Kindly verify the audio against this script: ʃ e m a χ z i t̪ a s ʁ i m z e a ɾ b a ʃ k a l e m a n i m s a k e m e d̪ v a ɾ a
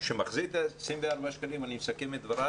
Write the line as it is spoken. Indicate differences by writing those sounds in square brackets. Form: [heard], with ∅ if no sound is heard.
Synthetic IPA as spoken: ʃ e m a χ z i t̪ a s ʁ i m [v] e a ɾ b a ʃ k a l [i] m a n i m s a k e m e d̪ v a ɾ a